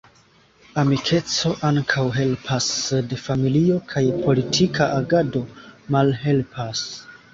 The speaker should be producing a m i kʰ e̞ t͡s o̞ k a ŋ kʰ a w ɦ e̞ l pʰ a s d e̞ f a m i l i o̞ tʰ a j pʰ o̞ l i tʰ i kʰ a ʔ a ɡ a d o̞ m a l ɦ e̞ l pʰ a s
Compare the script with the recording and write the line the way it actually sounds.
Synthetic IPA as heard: a m i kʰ e̞ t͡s o̞ ʔ a ŋ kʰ a w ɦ e̞ l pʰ a s d e̞ f a m i l i o̞ kʰ a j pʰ o̞ l i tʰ i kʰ a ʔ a ɡ a d o̞ m a l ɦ e̞ l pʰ a s